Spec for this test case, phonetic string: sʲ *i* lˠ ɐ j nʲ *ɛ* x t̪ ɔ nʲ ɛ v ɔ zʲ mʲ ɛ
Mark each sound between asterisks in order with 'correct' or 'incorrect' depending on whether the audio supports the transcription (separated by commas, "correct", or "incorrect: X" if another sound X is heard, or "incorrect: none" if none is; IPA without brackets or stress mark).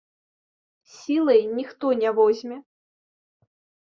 correct, incorrect: i